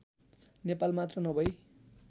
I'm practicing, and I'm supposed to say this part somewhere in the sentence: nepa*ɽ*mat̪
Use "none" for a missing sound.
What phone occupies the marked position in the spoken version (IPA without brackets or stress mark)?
l